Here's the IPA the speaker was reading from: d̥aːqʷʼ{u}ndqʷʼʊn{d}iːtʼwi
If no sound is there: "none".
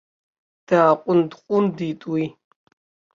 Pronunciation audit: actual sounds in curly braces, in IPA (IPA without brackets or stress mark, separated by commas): ʊ, d